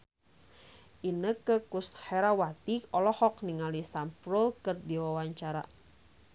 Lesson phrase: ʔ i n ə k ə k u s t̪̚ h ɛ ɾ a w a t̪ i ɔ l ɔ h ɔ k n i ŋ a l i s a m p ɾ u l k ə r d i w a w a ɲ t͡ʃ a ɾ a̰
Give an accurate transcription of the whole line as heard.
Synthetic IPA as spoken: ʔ i n ə k ə k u s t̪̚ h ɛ ɾ a w a t̪ i ɔ l ɔ h ɔ k n i ŋ a l i s a m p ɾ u l k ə r d i w a w a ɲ t͡ʃ a ɾ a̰